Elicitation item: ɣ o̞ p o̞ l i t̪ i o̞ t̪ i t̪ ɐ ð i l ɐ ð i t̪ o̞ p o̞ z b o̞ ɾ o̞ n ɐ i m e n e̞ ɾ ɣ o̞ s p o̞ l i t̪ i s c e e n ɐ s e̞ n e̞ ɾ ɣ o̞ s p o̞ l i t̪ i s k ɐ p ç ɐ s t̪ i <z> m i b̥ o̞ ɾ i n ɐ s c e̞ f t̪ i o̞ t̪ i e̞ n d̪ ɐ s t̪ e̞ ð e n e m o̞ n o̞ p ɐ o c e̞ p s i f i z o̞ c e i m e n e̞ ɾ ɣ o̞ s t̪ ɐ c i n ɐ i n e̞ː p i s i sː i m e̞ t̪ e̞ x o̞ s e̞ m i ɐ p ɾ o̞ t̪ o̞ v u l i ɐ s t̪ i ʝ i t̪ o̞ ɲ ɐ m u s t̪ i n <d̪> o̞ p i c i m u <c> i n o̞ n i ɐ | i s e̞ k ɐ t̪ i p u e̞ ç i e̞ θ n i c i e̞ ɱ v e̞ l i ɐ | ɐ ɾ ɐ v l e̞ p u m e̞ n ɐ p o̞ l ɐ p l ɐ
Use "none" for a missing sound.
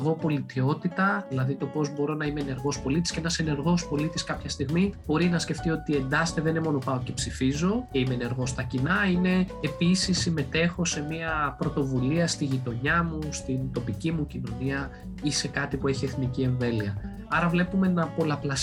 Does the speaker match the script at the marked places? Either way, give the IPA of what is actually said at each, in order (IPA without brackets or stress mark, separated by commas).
ɣ, t̪, c